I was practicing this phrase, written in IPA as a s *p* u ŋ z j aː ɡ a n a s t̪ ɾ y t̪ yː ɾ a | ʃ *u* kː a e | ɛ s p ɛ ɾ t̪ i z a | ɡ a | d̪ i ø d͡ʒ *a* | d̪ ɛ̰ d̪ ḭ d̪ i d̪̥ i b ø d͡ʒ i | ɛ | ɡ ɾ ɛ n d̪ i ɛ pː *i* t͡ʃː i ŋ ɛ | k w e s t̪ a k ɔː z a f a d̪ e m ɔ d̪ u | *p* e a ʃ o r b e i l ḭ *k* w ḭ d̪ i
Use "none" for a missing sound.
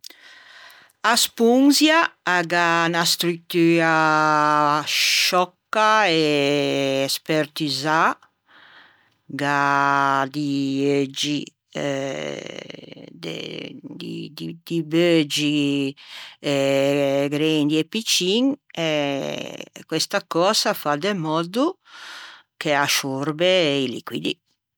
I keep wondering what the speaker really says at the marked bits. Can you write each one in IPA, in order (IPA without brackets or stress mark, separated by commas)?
p, ɔ, i, i, k, k